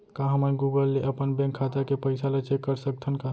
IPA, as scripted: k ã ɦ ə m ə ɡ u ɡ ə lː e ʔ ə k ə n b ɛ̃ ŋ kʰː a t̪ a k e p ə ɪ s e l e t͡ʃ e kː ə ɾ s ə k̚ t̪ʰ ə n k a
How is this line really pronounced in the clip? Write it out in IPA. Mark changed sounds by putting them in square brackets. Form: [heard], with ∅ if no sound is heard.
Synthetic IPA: k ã ɦ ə m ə ɡ u ɡ ə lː e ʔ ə [p] ə n b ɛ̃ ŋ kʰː a t̪ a k e p ə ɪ s [a] l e t͡ʃ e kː ə ɾ s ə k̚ t̪ʰ ə n k a